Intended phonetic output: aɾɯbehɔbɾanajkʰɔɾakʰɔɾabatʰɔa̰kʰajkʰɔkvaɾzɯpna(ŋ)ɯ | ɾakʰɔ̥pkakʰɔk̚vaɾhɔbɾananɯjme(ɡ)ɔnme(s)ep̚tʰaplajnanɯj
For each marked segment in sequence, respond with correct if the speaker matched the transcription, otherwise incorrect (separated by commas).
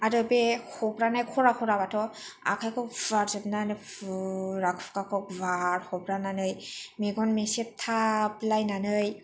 incorrect, correct, correct